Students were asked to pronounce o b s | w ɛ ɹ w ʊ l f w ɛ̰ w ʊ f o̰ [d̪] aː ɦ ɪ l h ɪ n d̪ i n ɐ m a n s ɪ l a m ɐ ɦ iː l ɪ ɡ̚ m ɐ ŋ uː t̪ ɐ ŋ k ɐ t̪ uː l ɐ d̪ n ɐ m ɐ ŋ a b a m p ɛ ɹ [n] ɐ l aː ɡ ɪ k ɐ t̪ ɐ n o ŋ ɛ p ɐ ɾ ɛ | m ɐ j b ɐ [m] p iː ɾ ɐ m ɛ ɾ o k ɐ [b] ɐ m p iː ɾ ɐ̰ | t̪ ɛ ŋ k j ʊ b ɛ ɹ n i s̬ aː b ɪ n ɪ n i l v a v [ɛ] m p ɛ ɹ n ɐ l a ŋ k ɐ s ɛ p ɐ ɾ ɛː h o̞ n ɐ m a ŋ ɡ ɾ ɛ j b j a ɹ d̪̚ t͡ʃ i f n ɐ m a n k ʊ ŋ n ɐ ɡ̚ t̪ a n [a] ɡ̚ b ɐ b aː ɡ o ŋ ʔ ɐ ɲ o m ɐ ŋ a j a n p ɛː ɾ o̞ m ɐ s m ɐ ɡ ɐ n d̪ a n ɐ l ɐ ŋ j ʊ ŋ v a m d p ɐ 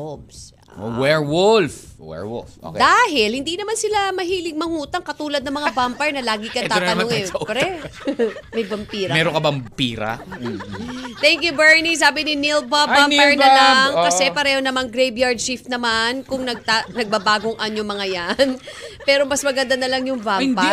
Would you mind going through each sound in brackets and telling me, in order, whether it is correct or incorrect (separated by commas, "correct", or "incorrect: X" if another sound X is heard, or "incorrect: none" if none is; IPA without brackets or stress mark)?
correct, correct, correct, correct, incorrect: a, incorrect: ɐ